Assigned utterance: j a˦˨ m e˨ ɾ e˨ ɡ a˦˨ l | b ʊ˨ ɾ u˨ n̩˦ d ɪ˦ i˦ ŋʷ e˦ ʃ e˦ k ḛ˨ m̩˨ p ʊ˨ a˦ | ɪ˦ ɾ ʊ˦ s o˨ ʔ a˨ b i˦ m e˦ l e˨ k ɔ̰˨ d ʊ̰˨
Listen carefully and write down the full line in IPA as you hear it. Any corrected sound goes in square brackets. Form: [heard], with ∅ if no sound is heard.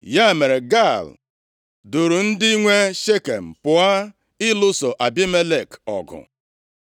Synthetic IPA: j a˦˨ m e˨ ɾ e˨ ɡ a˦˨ l | [d] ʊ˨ ɾ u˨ n̩˦ d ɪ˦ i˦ ŋʷ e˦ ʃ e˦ k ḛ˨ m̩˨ p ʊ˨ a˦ | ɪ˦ [l] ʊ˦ s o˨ ʔ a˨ b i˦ m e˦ l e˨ k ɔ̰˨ [ɡ] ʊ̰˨